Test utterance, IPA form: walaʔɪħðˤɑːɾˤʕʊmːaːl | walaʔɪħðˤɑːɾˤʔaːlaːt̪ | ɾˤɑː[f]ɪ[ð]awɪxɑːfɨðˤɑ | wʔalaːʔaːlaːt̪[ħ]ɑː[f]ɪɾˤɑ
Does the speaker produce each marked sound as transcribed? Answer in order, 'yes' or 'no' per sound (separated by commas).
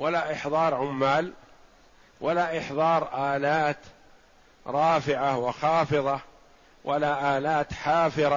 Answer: yes, no, yes, yes